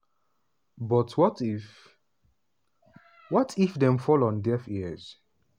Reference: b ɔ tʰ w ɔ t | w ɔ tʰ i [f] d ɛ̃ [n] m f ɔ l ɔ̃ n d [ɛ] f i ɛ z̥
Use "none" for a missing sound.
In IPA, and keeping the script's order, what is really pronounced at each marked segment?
f, none, ɛ

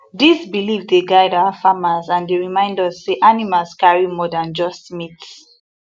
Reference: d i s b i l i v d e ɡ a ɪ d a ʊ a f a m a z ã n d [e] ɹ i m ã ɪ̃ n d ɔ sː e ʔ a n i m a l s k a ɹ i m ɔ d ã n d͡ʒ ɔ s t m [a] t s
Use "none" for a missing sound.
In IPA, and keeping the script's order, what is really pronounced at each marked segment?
e, i

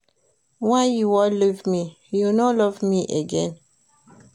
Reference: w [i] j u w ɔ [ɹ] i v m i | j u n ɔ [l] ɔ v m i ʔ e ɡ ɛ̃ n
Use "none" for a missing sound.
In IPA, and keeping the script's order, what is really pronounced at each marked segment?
a, l, l

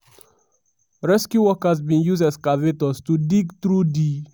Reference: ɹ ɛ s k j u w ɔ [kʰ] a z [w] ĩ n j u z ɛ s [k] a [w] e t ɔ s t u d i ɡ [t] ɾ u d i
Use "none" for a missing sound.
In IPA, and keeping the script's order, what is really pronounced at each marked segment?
k, b, k, v, t

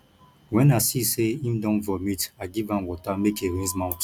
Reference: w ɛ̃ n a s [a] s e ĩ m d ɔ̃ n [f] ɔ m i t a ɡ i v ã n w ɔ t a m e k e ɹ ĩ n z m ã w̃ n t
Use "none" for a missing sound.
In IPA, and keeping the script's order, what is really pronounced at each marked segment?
i, v

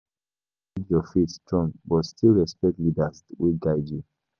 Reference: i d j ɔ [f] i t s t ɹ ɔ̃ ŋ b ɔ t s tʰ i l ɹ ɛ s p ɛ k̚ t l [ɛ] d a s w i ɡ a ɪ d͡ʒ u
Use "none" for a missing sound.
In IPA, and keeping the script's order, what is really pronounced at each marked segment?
f, i

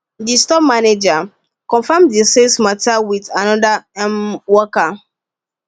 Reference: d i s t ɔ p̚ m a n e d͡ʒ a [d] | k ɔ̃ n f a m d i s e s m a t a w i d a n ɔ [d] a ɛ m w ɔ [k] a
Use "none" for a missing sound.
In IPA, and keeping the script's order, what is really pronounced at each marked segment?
none, d, k

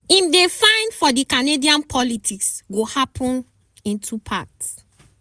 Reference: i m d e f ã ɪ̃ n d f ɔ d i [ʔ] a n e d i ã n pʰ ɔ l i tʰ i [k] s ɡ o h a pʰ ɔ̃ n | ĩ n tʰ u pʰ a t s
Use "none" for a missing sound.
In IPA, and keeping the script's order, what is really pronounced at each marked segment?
k, k

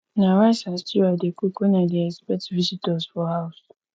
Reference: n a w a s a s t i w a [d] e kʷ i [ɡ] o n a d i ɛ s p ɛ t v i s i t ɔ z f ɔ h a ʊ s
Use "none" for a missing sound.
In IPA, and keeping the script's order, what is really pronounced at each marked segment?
d, k

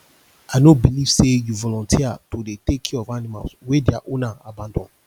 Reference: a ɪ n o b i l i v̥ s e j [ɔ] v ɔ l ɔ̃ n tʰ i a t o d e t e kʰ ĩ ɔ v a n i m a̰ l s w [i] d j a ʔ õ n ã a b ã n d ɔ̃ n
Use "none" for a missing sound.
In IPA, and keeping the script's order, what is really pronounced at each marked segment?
u, e

